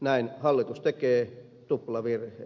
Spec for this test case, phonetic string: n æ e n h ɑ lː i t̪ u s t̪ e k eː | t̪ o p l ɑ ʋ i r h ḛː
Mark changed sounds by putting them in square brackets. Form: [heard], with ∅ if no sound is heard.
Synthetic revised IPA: n æ [i] n h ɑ lː i t̪ u s t̪ e k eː | t̪ [u] p l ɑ ʋ i r h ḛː